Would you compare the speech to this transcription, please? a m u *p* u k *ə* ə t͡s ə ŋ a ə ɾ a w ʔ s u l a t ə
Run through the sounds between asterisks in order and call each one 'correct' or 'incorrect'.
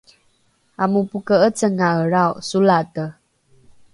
correct, correct

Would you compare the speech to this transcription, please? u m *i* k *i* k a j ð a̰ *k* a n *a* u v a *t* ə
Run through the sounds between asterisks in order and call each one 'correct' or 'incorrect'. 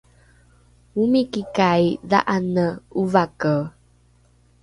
correct, correct, incorrect: ʔ, incorrect: ə, incorrect: k

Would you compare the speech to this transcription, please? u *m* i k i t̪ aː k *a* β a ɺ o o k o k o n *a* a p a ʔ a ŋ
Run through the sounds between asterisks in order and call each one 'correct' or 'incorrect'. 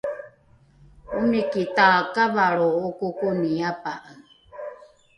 incorrect: n, correct, incorrect: i

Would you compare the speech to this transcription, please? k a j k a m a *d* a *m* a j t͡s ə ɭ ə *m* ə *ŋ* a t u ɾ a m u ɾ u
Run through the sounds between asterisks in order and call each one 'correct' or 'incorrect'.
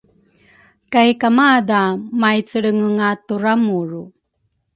correct, correct, incorrect: ŋ, correct

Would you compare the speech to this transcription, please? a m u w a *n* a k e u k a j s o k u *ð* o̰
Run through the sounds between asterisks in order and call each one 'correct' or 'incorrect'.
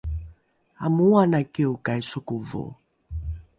correct, incorrect: v

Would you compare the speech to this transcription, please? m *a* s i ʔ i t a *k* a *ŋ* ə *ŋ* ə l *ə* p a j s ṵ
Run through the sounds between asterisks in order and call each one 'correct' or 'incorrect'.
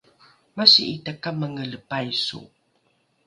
correct, correct, incorrect: m, correct, correct

